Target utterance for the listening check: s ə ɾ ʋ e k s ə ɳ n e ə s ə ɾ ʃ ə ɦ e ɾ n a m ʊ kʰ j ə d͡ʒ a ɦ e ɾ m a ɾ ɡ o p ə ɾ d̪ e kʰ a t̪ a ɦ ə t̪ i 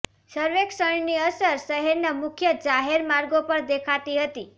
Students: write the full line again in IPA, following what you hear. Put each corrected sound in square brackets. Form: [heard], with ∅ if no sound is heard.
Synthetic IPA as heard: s ə ɾ ʋ e k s ə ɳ n [i] ə s ə ɾ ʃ ə ɦ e ɾ n a m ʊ kʰ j ə d͡ʒ a ɦ e ɾ m a ɾ ɡ o p ə ɾ d̪ e kʰ a t̪ [i] ɦ ə t̪ i